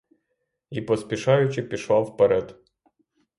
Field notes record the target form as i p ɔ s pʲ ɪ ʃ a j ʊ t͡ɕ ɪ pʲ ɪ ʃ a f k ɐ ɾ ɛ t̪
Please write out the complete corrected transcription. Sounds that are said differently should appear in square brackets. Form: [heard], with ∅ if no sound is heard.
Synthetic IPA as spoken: i p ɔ s pʲ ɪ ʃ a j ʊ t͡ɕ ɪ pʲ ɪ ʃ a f [p] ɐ ɾ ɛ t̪